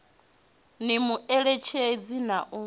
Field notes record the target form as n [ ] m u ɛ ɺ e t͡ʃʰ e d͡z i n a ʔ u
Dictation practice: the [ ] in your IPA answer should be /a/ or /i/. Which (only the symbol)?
i